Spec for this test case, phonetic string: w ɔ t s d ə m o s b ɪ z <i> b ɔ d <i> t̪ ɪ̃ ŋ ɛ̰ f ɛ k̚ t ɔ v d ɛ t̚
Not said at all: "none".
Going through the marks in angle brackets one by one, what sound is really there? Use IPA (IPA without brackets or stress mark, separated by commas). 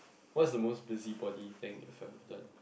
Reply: i, i